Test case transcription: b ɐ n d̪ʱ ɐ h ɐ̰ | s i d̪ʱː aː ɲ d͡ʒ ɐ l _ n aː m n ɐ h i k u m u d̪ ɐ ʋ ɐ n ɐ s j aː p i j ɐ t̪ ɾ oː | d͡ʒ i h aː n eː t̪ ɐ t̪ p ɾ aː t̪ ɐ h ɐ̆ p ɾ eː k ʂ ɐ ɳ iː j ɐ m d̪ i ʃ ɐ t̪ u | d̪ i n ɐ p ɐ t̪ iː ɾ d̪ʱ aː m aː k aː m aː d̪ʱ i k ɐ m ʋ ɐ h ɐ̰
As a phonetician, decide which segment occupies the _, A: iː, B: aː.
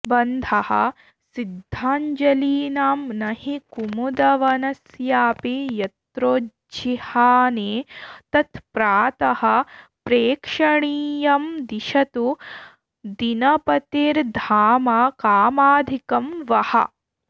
A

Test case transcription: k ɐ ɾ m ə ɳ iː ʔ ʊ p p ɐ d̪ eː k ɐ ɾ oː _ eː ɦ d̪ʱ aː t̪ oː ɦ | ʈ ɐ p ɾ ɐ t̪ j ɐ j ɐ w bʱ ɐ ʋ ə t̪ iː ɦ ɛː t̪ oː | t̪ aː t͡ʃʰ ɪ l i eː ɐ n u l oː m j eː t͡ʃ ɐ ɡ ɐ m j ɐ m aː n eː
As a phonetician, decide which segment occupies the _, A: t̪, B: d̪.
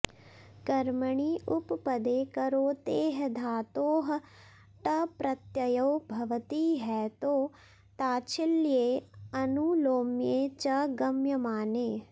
A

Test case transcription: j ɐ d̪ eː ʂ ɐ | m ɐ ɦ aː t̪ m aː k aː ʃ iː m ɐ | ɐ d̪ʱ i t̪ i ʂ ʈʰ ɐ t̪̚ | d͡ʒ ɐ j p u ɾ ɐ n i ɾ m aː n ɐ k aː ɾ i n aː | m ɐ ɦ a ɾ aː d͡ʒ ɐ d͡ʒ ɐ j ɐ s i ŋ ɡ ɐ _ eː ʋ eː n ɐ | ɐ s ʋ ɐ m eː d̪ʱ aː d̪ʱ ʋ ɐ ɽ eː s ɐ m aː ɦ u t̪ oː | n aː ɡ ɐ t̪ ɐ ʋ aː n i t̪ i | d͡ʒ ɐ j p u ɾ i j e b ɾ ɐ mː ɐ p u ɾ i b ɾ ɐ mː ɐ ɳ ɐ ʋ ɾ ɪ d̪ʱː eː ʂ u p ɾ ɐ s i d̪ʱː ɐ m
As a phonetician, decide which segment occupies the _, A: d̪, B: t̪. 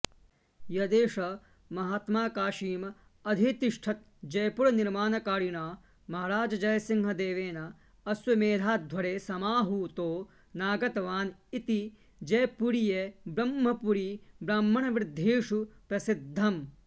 A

